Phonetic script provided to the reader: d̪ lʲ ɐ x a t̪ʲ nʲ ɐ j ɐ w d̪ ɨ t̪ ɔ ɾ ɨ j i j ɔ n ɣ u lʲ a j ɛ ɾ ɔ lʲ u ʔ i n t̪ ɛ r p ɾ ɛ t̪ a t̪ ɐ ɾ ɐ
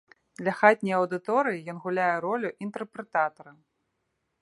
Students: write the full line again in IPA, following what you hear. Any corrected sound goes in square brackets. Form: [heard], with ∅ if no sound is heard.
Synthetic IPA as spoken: d̪ lʲ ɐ x a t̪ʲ nʲ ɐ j ɐ w d̪ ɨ t̪ ɔ ɾ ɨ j i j ɔ n ɣ u lʲ a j ɛ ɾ ɔ lʲ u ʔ i n t̪ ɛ r p ɾ ɛ t̪ a t̪ ɐ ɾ ɐ